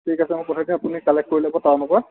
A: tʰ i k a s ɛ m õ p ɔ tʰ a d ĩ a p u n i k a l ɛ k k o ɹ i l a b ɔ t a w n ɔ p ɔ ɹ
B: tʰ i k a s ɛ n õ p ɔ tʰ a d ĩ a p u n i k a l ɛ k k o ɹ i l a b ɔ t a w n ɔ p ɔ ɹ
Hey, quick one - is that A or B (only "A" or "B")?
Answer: A